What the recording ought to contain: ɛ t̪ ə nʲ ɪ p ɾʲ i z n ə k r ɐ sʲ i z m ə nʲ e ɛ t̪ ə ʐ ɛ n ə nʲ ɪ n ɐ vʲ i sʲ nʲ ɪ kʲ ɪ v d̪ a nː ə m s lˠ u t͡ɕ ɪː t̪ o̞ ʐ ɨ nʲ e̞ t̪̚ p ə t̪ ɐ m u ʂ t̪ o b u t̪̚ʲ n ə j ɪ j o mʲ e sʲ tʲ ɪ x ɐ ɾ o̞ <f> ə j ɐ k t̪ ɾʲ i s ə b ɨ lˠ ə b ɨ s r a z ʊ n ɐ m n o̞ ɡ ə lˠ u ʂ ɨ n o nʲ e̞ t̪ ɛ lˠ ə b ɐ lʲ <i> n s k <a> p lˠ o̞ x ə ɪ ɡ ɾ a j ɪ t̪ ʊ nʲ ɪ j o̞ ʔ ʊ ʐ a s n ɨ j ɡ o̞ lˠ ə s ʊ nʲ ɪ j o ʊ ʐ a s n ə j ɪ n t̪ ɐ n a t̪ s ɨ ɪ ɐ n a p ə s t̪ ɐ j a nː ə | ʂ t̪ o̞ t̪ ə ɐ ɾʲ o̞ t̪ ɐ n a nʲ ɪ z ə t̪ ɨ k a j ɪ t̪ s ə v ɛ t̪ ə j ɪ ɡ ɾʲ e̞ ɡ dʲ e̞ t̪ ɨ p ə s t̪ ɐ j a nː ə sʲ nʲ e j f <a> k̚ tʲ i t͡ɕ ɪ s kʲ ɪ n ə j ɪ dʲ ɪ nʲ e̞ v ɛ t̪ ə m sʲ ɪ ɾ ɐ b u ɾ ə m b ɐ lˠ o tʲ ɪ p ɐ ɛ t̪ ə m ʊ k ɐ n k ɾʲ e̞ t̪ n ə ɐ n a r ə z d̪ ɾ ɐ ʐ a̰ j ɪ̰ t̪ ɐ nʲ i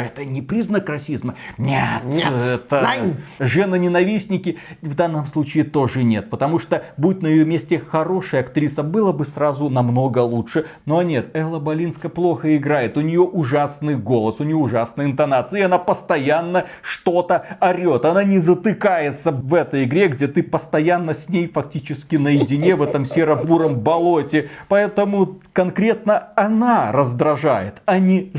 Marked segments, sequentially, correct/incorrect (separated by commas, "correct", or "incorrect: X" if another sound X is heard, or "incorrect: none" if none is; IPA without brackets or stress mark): incorrect: ʂ, correct, incorrect: ə, incorrect: ɐ